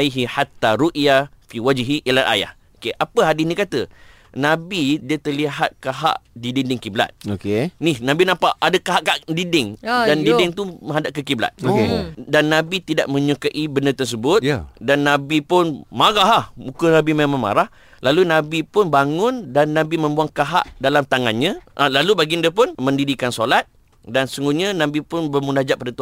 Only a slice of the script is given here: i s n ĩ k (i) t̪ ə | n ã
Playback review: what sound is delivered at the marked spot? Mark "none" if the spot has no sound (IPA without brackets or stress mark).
a